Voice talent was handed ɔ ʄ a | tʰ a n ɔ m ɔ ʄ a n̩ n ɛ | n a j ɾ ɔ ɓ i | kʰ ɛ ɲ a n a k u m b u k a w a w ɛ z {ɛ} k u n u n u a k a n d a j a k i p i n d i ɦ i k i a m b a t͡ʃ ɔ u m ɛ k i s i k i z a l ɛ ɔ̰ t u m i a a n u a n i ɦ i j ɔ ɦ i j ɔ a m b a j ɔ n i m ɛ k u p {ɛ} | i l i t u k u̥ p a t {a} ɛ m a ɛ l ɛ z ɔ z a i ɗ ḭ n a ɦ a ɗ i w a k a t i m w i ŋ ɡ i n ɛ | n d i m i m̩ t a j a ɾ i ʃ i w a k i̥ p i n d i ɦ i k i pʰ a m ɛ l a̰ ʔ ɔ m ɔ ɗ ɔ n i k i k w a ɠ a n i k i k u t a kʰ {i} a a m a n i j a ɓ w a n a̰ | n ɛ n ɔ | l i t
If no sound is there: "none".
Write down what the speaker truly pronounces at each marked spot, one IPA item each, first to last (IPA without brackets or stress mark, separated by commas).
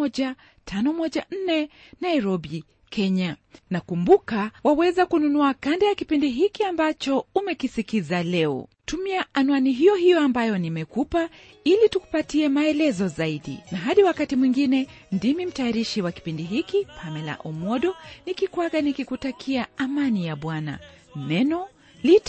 a, a, i, i